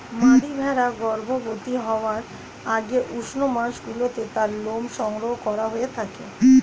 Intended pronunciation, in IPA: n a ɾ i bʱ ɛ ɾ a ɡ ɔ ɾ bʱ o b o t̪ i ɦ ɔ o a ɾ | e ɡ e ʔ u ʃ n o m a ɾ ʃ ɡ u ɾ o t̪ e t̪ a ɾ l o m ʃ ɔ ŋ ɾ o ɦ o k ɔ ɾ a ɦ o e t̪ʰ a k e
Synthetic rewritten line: m a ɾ i bʱ ɛ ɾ a ɡ ɔ ɾ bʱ o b o t̪ i ɦ ɔ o a ɾ | a ɡ e ʔ u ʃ n o m a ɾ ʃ ɡ u l o t̪ e t̪ a ɾ l o m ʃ ɔ ŋ ɾ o ɦ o k ɔ ɾ a ɦ o e t̪ʰ a k e